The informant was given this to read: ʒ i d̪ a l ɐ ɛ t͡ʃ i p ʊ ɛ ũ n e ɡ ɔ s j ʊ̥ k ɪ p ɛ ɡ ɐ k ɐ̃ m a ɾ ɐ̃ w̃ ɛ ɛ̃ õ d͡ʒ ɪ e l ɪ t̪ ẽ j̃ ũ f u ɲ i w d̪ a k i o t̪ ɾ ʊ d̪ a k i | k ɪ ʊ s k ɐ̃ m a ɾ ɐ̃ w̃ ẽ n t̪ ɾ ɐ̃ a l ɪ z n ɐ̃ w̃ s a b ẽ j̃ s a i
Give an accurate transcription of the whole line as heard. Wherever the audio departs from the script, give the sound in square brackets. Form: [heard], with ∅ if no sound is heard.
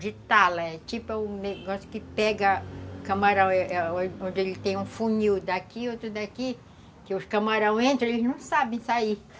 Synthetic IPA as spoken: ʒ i [t̪] a l ɐ ɛ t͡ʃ i p ʊ ɛ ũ n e ɡ ɔ s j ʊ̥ k ɪ p ɛ ɡ ɐ k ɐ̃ m a ɾ ɐ̃ w̃ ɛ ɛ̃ õ d͡ʒ ɪ e l ɪ t̪ ẽ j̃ ũ f u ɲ i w d̪ a k i o t̪ ɾ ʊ d̪ a k i | k ɪ ʊ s k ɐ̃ m a ɾ ɐ̃ w̃ ẽ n t̪ ɾ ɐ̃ [e] l ɪ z n ɐ̃ w̃ s a b ẽ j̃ s a i

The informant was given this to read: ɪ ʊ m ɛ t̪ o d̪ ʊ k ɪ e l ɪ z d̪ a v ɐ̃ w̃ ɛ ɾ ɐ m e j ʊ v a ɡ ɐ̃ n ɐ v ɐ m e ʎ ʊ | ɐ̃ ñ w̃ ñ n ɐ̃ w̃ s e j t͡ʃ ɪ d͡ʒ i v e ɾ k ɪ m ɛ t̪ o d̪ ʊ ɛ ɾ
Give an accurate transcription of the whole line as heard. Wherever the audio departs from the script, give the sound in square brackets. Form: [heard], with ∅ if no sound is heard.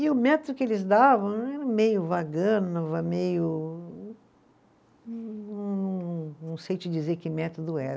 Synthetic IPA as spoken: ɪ ʊ m ɛ t̪ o d̪ ʊ k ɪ e l ɪ z d̪ a v ɐ̃ w̃ ɛ ɾ ɐ m e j ʊ v a ɡ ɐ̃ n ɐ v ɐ m e [j] ʊ | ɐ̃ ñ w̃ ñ n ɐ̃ w̃ s e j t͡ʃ ɪ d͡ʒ i [z] e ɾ k ɪ m ɛ t̪ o d̪ ʊ ɛ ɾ

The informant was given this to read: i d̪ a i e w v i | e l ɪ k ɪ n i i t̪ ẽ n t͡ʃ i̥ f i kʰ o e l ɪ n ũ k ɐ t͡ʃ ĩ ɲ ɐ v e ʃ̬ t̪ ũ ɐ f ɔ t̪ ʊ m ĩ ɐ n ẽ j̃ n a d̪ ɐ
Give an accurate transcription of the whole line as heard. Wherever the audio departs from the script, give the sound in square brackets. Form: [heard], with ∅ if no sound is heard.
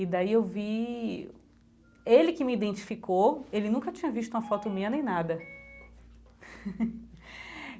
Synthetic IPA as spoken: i d̪ a i e w v i | e l ɪ k ɪ [m] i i [d̪] ẽ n t͡ʃ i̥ f i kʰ o e l ɪ n ũ k ɐ t͡ʃ ĩ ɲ ɐ v [i] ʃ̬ t̪ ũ ɐ f ɔ t̪ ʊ m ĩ ɐ n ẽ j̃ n a d̪ ɐ

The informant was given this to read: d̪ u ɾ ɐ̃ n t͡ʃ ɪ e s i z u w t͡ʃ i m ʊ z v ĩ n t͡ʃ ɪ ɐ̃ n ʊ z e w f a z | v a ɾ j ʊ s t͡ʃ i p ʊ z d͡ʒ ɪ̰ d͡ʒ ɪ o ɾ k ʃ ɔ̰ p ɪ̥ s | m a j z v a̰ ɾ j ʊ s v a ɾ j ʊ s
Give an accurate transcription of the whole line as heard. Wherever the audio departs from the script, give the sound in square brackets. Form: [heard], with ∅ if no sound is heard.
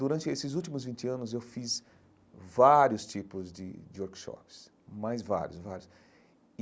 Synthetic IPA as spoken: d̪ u ɾ ɐ̃ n t͡ʃ ɪ e s [ɪ] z u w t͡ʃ i m ʊ z v ĩ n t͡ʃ ɪ ɐ̃ n ʊ z e w f [i] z | v a ɾ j ʊ s t͡ʃ i p ʊ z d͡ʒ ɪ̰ d͡ʒ ɪ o ɾ k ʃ ɔ̰ p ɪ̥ s | m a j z v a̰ ɾ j ʊ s v a ɾ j ʊ s

